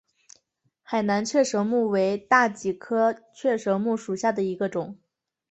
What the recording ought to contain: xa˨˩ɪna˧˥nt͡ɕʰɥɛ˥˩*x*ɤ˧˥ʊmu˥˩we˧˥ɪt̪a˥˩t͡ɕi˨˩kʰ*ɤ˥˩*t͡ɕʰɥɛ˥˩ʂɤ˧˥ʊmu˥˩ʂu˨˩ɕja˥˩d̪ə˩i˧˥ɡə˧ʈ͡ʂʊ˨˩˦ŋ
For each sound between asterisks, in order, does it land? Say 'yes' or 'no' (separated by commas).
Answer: no, no